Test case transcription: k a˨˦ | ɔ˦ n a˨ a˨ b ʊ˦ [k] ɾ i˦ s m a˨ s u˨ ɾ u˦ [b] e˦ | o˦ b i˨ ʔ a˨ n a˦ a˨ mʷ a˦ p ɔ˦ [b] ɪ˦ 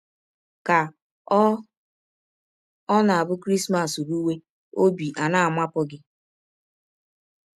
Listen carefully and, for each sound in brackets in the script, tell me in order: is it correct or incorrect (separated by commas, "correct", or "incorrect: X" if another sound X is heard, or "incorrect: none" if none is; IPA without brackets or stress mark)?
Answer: correct, incorrect: w, incorrect: ɡ